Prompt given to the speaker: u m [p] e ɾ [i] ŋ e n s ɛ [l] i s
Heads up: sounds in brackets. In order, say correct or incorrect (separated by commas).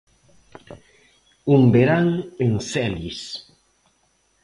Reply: incorrect, incorrect, correct